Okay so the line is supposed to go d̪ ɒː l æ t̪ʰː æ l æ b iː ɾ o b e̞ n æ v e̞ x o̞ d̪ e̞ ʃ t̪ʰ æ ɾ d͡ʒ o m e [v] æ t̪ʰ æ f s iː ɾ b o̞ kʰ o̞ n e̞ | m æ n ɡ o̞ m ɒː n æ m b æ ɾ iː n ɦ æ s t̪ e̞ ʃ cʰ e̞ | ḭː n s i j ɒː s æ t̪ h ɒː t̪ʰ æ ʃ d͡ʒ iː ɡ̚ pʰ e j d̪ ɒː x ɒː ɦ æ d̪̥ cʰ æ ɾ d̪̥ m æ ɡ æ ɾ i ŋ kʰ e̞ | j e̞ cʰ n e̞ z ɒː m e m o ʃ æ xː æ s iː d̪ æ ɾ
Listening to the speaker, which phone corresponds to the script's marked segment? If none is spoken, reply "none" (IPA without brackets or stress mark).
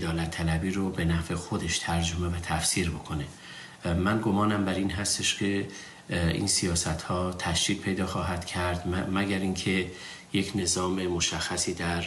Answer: v